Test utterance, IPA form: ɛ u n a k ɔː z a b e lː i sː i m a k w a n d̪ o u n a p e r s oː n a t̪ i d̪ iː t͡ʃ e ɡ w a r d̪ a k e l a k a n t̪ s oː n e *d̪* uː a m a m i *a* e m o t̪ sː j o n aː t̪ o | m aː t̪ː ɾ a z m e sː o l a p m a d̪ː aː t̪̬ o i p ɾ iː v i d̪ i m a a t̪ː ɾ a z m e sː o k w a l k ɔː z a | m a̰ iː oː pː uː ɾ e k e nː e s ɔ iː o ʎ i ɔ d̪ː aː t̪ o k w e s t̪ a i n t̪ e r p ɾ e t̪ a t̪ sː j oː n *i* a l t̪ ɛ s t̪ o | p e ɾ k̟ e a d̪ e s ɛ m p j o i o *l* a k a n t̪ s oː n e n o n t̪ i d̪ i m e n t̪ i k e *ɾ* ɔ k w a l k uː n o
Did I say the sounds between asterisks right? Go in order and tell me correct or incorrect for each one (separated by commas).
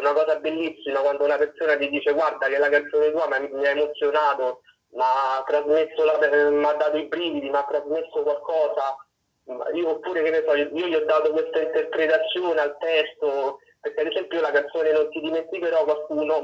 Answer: incorrect, correct, incorrect, correct, correct